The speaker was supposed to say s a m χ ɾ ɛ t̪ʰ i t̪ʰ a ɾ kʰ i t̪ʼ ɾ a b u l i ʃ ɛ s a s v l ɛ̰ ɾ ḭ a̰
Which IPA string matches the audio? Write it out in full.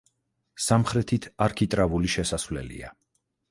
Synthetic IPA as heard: s a m χ ɾ ɛ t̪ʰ i t̪ʰ a ɾ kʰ i t̪ʼ ɾ a v u l i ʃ ɛ s a s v l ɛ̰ l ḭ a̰